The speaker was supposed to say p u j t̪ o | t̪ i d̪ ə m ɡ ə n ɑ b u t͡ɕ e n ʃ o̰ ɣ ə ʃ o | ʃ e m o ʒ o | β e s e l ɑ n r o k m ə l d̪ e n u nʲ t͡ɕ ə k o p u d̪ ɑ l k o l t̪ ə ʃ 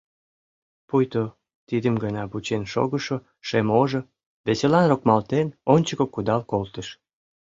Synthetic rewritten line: p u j t̪ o | t̪ i d̪ ə m ɡ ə n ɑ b u t͡ɕ e n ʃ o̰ ɣ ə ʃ o | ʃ e m o ʒ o | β e s e l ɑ n r o k m ɑ l t̪ e n o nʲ t͡ɕ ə k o k u d̪ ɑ l k o l t̪ ə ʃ